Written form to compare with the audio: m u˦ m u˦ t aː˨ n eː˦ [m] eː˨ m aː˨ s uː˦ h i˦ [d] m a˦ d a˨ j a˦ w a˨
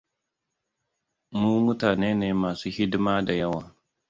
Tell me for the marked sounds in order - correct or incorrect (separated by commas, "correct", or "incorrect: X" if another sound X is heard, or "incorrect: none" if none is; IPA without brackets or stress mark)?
incorrect: n, correct